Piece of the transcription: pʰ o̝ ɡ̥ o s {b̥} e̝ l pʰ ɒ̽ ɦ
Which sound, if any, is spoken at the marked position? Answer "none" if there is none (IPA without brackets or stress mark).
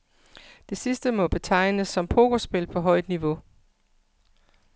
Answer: b̥